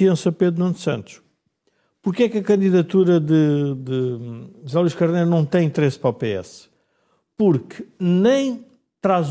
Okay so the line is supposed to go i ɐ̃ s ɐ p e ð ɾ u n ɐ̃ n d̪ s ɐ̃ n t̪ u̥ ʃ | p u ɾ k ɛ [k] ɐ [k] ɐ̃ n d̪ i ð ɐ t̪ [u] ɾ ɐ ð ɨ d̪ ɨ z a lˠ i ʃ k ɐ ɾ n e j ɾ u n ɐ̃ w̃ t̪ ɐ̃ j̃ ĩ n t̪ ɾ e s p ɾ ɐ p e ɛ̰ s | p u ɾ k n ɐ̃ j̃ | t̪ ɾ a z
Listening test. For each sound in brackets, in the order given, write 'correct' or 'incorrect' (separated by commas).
correct, correct, correct